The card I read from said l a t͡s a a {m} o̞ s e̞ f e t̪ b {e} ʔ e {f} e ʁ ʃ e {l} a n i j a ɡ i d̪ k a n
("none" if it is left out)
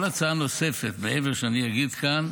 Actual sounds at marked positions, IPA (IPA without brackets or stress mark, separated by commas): n, e, v, none